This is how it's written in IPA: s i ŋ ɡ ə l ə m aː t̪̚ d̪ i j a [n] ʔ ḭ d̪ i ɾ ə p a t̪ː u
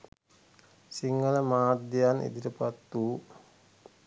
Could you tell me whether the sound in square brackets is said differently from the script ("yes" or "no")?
no